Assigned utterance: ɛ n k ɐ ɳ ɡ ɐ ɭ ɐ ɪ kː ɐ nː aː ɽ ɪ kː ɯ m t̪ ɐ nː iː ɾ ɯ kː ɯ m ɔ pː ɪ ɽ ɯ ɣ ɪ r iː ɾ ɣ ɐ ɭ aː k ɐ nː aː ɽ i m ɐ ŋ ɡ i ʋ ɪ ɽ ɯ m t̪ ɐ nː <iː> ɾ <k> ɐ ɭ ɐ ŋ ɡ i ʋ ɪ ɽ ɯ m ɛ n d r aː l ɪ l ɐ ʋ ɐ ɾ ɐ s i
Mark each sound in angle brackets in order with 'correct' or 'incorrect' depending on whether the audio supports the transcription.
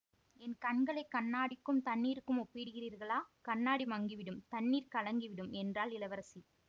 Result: correct, correct

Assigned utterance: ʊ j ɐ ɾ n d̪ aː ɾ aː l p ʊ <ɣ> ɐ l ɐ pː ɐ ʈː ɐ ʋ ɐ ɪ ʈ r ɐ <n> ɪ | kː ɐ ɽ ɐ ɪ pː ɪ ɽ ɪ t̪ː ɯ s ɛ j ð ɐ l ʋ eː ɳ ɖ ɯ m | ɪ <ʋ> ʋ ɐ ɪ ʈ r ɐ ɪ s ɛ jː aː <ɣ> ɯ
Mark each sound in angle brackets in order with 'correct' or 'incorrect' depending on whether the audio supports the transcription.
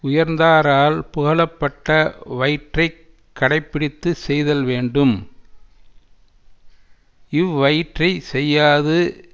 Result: correct, incorrect: none, correct, incorrect: ð

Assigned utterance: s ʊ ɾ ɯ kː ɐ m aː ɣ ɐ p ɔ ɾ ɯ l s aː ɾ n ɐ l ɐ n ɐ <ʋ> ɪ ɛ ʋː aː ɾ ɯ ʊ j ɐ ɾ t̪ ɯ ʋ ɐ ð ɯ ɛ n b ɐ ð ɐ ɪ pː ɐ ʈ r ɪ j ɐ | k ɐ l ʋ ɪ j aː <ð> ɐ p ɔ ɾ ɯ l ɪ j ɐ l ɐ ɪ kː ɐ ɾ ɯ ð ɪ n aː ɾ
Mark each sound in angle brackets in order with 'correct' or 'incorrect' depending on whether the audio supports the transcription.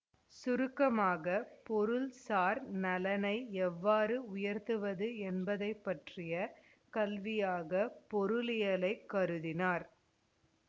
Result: incorrect: none, incorrect: ɣ

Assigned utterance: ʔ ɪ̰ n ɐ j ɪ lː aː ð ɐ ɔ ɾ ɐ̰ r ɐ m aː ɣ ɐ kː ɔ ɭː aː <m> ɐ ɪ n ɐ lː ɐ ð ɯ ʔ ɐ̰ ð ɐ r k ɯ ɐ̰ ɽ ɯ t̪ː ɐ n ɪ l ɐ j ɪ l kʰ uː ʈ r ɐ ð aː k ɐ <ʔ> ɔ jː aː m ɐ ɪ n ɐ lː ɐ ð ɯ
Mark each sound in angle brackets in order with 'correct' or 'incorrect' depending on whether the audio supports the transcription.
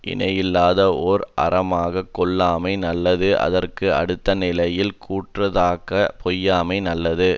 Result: correct, incorrect: p

